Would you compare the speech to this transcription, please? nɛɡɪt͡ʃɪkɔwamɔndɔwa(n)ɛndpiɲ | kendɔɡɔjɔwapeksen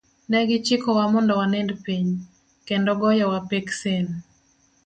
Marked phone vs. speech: correct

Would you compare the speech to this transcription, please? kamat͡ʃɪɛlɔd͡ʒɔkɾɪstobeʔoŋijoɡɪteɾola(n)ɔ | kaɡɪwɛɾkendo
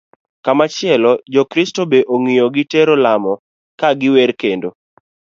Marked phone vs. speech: incorrect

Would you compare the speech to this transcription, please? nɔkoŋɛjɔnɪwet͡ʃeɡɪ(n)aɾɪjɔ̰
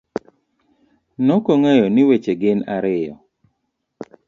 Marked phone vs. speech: correct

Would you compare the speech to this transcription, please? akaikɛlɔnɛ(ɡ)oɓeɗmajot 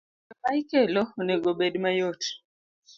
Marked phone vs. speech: correct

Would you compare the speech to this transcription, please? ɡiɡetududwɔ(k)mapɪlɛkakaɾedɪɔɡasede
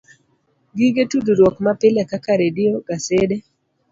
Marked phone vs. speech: correct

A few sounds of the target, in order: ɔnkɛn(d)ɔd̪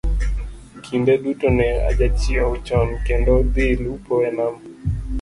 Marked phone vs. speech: correct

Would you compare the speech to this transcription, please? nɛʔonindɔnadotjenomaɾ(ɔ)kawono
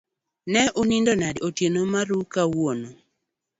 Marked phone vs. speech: incorrect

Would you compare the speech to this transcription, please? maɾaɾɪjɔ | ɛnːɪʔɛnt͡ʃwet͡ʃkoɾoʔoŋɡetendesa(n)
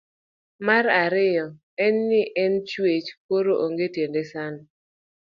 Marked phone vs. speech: correct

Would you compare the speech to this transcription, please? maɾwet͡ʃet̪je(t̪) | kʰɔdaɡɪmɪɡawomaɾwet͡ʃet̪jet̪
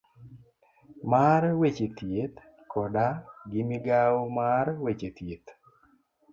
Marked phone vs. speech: correct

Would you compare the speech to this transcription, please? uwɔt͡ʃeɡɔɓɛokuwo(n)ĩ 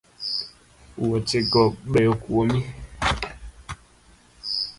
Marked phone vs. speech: incorrect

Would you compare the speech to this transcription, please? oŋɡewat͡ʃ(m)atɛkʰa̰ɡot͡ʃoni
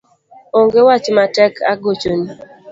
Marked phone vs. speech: correct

